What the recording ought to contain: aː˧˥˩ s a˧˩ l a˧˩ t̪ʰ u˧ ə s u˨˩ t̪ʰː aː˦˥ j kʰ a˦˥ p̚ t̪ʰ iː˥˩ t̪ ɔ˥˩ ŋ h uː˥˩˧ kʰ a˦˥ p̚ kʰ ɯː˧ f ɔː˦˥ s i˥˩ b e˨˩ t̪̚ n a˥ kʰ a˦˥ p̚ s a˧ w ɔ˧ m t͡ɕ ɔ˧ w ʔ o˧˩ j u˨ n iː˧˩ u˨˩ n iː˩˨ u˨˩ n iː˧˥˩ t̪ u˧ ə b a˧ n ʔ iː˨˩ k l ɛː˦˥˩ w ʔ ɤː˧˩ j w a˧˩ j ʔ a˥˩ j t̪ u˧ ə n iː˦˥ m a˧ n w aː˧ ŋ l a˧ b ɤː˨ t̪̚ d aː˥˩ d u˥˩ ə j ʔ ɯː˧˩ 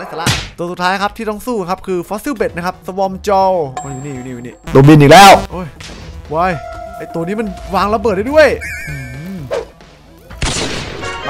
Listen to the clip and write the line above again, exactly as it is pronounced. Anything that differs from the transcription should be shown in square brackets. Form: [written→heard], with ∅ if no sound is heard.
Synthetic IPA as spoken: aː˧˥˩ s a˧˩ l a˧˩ [t̪ʰ→t̪] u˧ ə s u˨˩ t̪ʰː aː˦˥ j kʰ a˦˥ p̚ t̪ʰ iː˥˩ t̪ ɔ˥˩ ŋ [h→s] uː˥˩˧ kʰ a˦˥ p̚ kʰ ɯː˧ f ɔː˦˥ s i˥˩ b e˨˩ t̪̚ n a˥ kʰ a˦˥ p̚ s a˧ w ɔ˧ m t͡ɕ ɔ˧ w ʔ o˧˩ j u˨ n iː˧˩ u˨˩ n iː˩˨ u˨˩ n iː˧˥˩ t̪ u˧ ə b [a˧→i˧] n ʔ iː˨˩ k l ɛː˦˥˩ w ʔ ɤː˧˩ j w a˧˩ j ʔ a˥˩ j t̪ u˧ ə n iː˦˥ m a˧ n w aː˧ ŋ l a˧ b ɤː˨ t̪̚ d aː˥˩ d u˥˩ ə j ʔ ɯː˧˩